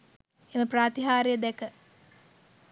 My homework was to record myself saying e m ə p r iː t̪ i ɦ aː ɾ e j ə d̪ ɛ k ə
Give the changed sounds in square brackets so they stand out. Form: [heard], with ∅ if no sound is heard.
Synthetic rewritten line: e m ə p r [aː] t̪ i ɦ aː ɾ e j ə d̪ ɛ k ə